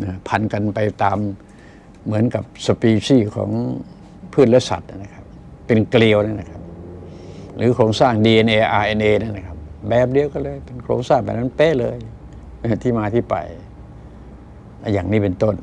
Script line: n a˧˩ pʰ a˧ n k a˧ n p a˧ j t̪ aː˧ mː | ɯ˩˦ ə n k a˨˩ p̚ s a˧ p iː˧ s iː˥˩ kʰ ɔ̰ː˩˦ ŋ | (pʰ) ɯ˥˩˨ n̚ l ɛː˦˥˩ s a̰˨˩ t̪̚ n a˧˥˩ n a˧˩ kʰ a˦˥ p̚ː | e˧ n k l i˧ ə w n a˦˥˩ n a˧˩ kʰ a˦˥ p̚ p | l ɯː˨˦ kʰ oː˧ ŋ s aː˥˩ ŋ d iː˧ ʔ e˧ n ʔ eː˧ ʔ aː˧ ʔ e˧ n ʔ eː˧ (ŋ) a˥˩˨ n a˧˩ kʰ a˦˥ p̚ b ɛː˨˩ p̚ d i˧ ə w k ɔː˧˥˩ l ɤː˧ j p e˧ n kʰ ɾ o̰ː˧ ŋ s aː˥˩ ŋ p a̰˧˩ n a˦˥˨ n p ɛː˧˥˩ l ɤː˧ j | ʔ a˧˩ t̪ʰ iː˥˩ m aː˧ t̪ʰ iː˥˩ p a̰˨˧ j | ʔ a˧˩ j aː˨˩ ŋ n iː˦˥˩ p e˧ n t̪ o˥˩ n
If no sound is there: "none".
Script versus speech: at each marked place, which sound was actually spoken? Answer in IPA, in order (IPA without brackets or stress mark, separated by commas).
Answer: pʰ, n